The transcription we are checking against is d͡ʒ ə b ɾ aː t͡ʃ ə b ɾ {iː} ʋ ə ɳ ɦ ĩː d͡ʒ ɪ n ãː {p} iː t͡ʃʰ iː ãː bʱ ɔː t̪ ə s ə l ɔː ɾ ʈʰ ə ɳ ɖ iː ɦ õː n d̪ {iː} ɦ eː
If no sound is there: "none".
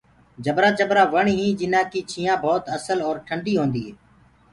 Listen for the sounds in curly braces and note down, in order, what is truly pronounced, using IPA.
aː, k, iː

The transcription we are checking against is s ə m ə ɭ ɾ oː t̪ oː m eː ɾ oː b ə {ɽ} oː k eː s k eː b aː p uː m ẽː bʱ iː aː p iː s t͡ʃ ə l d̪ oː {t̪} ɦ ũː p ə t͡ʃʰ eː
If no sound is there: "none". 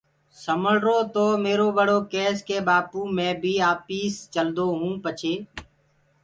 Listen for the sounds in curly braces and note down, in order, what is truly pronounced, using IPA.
ɽ, none

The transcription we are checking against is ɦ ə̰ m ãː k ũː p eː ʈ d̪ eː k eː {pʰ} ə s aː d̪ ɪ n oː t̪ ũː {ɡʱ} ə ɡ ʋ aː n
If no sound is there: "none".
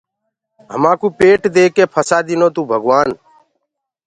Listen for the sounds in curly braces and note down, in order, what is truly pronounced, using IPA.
pʰ, bʱ

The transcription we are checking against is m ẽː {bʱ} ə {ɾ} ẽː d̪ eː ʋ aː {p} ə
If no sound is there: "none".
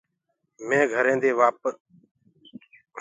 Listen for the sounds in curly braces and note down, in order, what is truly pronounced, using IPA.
ɡʱ, ɾ, p

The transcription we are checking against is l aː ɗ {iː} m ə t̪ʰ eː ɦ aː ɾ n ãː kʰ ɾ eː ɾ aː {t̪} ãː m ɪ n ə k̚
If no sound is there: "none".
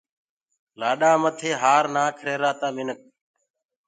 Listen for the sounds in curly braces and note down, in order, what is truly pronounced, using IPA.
aː, t̪

